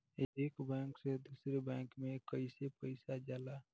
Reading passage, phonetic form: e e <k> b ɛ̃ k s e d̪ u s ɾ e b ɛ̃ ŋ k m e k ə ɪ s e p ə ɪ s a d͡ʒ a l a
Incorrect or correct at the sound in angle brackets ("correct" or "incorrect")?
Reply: correct